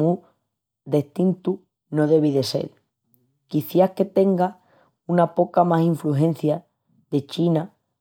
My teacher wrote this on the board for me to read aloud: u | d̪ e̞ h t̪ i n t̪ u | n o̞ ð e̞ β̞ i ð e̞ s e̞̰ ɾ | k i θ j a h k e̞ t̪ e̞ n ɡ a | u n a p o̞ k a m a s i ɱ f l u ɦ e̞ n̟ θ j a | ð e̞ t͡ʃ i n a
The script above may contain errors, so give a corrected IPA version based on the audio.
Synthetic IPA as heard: u | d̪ e̞ h t̪ i n t̪ u | n o̞ ð e̞ β̞ i ð e̞ s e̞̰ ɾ | k i θ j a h k e̞ t̪ e̞ ŋ ɡ a | u n a p o̞ k a m a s i ɱ f l u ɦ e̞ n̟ θ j a | ð e̞ t͡ʃ i n a